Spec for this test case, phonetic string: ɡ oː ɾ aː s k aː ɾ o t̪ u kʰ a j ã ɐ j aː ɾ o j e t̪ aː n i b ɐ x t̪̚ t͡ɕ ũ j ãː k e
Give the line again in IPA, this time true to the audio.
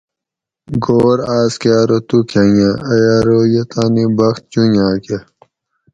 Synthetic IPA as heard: ɡ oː ɾ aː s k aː ɾ o t̪ u kʰ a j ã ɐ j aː ɾ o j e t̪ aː n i b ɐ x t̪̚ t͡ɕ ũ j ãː k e